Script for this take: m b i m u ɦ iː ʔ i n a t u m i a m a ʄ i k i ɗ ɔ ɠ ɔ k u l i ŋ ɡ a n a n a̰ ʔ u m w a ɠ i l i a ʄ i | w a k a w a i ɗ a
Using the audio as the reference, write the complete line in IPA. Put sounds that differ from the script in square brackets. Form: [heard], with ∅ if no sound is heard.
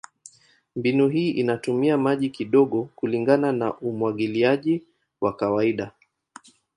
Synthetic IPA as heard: m b i [n] u ɦ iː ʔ i n a t u m i a m a ʄ i k i ɗ ɔ ɠ ɔ k u l i ŋ ɡ a n a n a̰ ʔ u m w a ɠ i l i a ʄ i | w a k a w a i ɗ a